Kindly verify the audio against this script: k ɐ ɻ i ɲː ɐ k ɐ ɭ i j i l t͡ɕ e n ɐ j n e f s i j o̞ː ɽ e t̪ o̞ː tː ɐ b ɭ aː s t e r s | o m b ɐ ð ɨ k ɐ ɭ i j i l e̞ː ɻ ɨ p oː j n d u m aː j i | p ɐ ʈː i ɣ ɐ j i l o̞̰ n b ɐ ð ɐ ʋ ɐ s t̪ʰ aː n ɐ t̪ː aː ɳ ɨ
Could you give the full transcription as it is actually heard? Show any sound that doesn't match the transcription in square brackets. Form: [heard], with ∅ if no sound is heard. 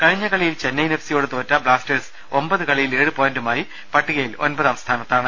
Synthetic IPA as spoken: k ɐ ɻ i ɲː ɐ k ɐ ɭ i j i l t͡ɕ e [nː] ɐ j n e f s i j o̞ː ɽ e t̪ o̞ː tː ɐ b ɭ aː s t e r s | o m b ɐ ð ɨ k ɐ ɭ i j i l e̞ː ɻ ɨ p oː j n d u m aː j i | p ɐ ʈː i ɣ ɐ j i l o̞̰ n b ɐ ð ɐ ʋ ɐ s t̪ʰ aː n ɐ t̪ː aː ɳ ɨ

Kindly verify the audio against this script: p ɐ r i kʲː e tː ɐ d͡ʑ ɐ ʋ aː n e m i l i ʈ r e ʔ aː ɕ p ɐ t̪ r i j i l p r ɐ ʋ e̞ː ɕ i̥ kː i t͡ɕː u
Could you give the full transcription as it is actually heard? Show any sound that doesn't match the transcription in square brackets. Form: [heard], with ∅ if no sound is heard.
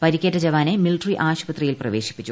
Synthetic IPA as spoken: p ɐ [ɾ] i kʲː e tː ɐ d͡ʑ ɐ ʋ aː n e m i l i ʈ r [i] ʔ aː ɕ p ɐ t̪ r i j i l p r ɐ ʋ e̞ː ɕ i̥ [pː] i t͡ɕː u

